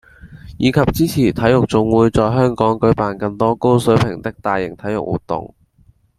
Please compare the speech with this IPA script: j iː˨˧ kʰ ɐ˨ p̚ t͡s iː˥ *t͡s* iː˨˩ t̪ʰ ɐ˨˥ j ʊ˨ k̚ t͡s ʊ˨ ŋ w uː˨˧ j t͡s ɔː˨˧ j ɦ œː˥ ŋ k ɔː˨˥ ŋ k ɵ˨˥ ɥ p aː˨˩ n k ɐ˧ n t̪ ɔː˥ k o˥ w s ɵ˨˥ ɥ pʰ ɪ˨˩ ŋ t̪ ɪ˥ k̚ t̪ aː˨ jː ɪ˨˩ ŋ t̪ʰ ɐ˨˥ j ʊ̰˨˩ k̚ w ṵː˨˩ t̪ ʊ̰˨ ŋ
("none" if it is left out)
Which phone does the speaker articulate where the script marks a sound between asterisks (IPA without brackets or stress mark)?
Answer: t͡sʰ